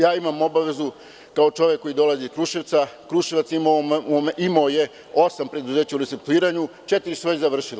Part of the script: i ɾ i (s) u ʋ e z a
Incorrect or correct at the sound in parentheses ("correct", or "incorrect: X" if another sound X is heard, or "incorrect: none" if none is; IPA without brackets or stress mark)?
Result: correct